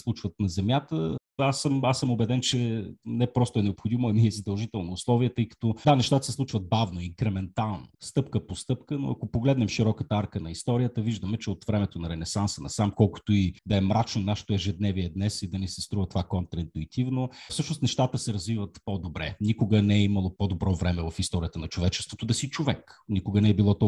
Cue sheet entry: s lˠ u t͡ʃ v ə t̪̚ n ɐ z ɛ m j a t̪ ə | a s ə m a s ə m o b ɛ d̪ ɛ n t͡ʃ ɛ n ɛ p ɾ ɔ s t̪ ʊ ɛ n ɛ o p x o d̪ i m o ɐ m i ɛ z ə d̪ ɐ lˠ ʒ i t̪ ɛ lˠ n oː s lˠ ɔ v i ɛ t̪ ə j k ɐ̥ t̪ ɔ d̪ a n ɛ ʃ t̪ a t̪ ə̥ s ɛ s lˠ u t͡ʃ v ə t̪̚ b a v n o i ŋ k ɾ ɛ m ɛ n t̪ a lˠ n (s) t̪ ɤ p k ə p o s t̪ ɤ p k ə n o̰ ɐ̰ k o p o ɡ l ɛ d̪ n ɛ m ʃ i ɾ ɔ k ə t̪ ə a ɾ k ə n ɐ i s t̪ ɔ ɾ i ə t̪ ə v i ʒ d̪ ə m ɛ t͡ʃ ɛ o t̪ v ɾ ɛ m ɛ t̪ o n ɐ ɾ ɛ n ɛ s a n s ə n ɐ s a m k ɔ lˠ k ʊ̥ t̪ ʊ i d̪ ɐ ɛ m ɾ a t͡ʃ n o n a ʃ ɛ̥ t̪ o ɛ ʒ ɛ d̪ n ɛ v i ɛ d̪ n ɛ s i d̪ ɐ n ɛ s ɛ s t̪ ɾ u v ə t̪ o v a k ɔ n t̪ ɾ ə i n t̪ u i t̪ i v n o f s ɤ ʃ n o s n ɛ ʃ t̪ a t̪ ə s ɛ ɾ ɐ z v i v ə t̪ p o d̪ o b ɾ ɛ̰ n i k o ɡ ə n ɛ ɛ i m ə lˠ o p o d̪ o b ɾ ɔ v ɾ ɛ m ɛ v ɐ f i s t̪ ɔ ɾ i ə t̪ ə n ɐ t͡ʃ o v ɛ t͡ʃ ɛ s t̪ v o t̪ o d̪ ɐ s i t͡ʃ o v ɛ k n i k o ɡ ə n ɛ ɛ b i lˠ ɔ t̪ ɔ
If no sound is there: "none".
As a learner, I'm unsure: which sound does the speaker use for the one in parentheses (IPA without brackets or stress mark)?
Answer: s